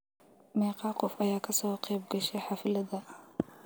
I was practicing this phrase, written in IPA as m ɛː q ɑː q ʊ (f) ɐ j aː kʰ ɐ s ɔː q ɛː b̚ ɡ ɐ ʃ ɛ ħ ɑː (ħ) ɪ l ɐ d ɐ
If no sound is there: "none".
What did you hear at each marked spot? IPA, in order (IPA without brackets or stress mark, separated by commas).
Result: f, f